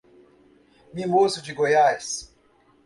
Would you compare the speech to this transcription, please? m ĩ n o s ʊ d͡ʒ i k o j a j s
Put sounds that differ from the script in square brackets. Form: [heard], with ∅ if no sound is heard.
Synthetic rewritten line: m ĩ [m] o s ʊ d͡ʒ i [ɡ] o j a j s